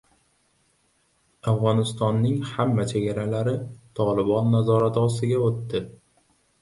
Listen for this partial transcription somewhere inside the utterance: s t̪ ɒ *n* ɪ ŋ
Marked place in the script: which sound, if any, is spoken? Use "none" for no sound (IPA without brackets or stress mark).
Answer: nː